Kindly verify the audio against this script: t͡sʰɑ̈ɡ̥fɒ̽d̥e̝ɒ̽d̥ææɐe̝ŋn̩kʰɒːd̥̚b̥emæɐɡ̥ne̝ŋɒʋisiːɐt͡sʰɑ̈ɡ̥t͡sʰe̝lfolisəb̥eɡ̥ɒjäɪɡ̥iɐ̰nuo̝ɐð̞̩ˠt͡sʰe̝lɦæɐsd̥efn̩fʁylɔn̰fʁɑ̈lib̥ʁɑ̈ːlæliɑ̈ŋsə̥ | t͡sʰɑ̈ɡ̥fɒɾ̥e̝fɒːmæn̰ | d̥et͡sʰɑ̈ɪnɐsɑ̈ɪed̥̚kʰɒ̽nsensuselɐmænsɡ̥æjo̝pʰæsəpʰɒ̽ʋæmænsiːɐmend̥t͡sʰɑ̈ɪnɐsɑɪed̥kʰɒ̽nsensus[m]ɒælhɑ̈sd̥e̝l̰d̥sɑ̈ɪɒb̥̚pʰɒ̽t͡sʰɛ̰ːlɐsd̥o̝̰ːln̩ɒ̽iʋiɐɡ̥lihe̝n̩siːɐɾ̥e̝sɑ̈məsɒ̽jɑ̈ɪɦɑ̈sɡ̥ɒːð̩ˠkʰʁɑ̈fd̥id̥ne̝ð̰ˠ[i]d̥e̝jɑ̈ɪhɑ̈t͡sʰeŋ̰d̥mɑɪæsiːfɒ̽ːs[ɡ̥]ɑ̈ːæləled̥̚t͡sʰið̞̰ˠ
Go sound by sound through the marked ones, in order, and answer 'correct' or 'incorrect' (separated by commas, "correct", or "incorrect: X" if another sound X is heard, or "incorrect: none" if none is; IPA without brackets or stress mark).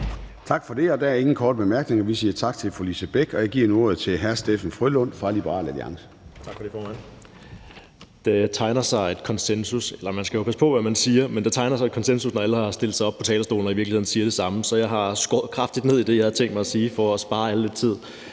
incorrect: n, correct, incorrect: b̥